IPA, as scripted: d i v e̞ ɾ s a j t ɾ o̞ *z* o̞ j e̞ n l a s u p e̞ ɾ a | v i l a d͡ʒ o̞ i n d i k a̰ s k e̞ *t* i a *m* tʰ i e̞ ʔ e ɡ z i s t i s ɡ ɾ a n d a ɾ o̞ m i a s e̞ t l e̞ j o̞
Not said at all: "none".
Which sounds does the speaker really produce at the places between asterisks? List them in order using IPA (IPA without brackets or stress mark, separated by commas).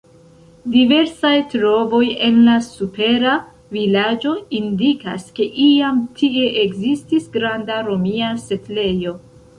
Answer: v, ʔ, m